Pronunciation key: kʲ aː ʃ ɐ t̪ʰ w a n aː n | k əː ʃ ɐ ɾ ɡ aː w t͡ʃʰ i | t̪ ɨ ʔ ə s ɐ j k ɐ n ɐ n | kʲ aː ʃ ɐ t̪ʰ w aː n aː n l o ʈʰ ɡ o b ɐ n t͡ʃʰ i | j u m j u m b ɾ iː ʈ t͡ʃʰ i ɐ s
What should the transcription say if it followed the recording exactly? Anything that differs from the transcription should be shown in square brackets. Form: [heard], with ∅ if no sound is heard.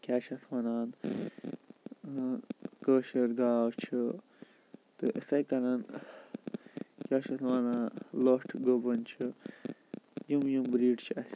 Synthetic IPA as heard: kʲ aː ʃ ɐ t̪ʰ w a n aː n | k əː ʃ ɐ ɾ ɡ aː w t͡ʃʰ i | t̪ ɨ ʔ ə s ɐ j k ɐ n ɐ n | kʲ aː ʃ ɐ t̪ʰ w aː n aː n l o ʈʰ ɡ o b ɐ n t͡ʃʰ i | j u m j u m b ɾ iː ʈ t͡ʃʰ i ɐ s